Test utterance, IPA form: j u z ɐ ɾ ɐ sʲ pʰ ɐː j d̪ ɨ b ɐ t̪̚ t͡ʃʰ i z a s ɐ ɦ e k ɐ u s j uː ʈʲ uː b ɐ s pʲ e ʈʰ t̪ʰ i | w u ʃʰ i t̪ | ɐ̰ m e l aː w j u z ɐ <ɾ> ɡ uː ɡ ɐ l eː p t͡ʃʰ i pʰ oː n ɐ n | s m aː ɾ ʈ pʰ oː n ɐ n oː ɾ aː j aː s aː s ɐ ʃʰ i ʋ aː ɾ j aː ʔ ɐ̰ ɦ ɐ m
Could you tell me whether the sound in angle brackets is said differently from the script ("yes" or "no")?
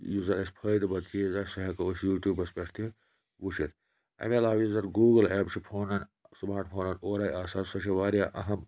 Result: no